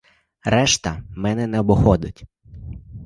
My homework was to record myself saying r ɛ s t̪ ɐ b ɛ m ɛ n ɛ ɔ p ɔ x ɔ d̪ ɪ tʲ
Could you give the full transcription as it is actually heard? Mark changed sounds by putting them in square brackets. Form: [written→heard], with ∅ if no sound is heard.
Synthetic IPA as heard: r ɛ [s→ʃ] t̪ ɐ [b→m] ɛ [m→n] ɛ n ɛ ɔ [p→b] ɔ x ɔ d̪ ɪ tʲ